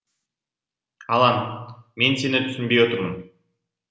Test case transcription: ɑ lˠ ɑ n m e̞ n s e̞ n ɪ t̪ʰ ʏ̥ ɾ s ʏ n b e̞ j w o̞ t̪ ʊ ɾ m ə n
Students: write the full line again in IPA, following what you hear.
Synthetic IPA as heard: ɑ lˠ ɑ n m e̞ n s e̞ n ɪ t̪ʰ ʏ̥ s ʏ n b e̞ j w o̞ t̪ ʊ ɾ m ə n